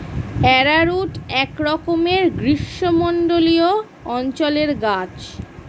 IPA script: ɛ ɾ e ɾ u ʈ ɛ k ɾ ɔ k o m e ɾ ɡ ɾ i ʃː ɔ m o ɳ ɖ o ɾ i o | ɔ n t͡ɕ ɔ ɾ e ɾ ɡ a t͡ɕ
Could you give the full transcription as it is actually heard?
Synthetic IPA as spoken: ɛ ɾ a ɾ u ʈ ɛ k ɾ ɔ k o m e ɾ ɡ ɾ i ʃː o m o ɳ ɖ o l i o | ɔ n t͡ɕ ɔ l e ɾ ɡ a t͡ɕ